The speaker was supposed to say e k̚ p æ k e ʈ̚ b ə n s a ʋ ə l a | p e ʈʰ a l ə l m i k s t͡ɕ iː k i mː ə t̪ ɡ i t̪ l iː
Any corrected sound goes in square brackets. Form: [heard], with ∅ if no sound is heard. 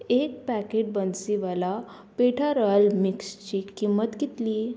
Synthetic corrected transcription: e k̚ p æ k e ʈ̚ b ə n s [i] ʋ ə l a | p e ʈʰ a [ɾ] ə l m i k s t͡ɕ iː k i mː ə t̪ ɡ i t̪ l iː